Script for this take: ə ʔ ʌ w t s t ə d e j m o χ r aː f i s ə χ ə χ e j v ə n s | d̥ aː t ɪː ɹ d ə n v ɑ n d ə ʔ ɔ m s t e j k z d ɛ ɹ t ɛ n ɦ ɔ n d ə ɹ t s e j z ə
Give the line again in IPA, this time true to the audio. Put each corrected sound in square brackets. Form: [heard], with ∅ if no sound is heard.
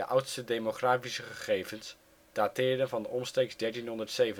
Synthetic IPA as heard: ə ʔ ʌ w t s t ə d e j m o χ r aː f i s ə χ ə χ e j v ə n s | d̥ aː t ɪː ɹ d ə n v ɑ n d ə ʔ ɔ m s t e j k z d ɛ ɹ t [i] n ɦ ɔ n d ə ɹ t s e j [v] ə